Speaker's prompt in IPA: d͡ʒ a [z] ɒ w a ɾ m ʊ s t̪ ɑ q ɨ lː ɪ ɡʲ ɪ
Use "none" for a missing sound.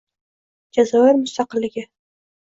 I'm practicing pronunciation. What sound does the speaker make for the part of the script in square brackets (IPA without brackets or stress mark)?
z